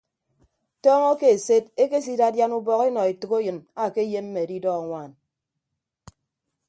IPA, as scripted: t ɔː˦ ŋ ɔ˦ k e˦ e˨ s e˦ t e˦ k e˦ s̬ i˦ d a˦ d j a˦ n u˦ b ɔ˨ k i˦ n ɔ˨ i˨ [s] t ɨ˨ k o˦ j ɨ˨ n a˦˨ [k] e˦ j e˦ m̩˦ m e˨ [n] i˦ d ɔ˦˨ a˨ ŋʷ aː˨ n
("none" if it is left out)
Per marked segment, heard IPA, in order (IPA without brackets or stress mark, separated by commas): none, k, d